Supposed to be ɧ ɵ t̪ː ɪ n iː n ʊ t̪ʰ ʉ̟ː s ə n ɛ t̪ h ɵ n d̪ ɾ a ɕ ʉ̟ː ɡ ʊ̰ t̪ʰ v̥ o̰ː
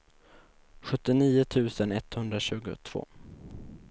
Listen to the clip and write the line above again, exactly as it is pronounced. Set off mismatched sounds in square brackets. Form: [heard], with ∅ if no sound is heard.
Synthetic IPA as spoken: ɧ ɵ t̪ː ɪ n iː [∅] ʊ t̪ʰ ʉ̟ː s ə n ɛ t̪ h ɵ n d̪ ɾ a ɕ ʉ̟ː ɡ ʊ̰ t̪ʰ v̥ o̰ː